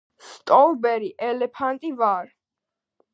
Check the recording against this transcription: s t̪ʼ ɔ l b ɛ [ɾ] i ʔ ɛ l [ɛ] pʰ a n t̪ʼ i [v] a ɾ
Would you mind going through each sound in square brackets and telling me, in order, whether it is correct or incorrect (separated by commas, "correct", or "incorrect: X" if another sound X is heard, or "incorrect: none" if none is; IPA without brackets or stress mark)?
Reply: correct, correct, correct